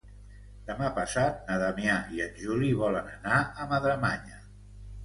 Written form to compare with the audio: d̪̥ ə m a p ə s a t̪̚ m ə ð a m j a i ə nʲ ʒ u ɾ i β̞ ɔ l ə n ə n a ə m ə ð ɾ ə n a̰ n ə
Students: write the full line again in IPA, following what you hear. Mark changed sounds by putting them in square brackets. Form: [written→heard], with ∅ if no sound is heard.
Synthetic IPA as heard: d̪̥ ə m a p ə s a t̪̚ [m→n] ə ð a m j a i ə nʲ ʒ u [ɾ→l] i β̞ ɔ l ə n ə n a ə m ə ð ɾ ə [n→m] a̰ [n→ɲ] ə